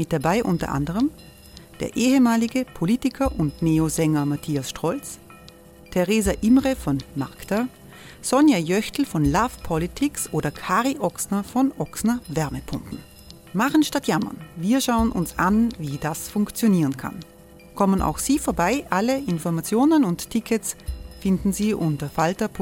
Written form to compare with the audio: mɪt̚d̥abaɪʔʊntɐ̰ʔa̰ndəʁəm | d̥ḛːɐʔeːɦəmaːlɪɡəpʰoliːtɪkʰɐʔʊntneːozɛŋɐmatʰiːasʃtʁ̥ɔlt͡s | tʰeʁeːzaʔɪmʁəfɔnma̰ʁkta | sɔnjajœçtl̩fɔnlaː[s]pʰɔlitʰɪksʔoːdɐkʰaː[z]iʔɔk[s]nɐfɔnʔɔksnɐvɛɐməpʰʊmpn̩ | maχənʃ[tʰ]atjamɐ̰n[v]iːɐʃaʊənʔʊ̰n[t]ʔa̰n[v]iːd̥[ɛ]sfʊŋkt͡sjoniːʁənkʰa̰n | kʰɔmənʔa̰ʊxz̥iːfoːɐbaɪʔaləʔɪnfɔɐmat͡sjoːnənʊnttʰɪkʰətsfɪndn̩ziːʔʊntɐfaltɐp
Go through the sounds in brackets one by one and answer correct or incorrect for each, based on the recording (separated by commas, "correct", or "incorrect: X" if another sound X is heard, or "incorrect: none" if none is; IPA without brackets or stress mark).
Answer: incorrect: f, incorrect: ʁ, correct, incorrect: t, correct, incorrect: s, correct, incorrect: a